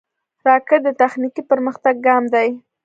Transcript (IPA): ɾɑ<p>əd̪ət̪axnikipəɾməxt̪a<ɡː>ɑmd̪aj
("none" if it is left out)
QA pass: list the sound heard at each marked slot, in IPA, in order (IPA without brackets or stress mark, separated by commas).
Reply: k, ɡː